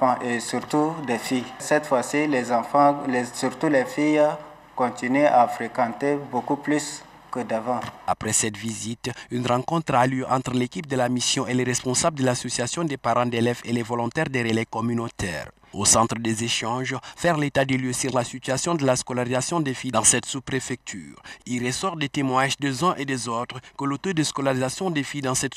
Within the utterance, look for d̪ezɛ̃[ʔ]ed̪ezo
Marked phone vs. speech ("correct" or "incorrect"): correct